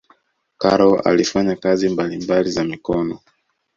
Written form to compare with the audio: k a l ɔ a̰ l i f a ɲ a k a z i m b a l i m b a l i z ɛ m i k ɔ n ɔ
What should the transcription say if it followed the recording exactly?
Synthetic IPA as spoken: k a ɾ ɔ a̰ l i f a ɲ a k a z i m b a l i m b a l i z a m i k ɔ n ɔ